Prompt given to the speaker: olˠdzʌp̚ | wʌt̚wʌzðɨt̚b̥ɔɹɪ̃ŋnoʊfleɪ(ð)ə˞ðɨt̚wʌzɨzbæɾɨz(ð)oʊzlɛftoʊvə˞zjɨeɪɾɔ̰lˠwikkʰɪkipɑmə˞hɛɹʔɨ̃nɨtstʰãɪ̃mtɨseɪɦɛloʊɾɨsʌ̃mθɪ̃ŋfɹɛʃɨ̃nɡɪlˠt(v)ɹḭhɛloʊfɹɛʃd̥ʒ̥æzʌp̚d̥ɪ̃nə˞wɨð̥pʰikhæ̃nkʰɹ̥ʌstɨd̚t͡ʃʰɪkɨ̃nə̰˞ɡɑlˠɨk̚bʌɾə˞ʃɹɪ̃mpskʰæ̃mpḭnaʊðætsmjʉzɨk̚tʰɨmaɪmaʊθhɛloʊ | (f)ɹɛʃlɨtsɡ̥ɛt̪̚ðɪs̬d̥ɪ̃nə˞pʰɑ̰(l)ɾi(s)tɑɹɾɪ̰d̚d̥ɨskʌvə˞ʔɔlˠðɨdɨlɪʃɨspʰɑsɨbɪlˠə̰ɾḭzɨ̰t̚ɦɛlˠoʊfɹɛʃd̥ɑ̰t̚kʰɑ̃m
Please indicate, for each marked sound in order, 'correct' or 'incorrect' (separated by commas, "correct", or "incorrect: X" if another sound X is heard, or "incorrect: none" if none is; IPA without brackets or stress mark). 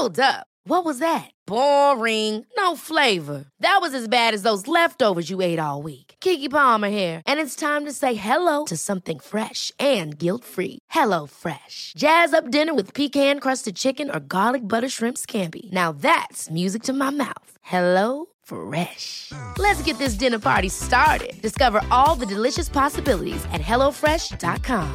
incorrect: v, correct, incorrect: f, correct, incorrect: ɹ, correct